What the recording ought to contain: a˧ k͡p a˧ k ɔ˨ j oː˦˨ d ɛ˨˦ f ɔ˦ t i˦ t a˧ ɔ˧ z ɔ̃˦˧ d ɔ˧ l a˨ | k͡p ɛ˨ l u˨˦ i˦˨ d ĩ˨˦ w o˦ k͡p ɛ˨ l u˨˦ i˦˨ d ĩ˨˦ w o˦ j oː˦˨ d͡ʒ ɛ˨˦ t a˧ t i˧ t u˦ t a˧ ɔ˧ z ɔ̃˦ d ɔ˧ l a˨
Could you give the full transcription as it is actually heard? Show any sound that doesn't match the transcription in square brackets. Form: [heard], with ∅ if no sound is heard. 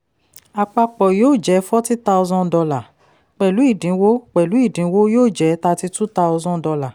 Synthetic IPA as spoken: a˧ k͡p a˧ [k͡p] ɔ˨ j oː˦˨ [d͡ʒ] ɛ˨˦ f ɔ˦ t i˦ t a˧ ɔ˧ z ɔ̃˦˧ d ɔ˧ l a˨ | k͡p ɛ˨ l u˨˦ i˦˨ d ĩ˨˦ w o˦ k͡p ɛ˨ l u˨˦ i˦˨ d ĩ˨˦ w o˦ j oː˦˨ d͡ʒ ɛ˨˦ t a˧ t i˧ t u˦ t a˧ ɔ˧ z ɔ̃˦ d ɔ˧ l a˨